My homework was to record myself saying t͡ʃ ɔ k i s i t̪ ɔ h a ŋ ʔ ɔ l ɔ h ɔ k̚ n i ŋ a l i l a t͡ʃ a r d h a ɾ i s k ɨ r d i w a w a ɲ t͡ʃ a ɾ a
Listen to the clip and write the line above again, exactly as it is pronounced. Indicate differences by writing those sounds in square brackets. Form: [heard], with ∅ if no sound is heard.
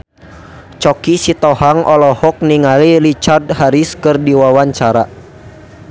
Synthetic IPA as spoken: t͡ʃ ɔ k i s i t̪ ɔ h a ŋ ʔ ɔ l ɔ h ɔ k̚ n i ŋ a l i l [i] t͡ʃ a r d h a ɾ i s k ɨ r d i w a w a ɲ t͡ʃ a ɾ a